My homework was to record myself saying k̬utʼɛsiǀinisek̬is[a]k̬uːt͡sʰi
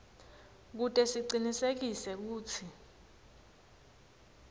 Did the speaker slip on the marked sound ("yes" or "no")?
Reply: yes